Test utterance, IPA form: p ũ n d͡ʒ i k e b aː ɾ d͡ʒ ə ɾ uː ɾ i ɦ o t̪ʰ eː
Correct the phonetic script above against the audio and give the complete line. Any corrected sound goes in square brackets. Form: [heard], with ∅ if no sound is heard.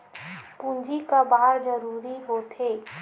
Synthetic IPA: p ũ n d͡ʒ i k [a] b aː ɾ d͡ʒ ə ɾ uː ɾ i ɦ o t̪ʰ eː